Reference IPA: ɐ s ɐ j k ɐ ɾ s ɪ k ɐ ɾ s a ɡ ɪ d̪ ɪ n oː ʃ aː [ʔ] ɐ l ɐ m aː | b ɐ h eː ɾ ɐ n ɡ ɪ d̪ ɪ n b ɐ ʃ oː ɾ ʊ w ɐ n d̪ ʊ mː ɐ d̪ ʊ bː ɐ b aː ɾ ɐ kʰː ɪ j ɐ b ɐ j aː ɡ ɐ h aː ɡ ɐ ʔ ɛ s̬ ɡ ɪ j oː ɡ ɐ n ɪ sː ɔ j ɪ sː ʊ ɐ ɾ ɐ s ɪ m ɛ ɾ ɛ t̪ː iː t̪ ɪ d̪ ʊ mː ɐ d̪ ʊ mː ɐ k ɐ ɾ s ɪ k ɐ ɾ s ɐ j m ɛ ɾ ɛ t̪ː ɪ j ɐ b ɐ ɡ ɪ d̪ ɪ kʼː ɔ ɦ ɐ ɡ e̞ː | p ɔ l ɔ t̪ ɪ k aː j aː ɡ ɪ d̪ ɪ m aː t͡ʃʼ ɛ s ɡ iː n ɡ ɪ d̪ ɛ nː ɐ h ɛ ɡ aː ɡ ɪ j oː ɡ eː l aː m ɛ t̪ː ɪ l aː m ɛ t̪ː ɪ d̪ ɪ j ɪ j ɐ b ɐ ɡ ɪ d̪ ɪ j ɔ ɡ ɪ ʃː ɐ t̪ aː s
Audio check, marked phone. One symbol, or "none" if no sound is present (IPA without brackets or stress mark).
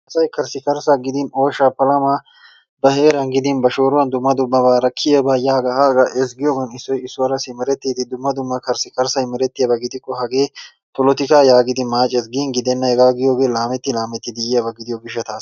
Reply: p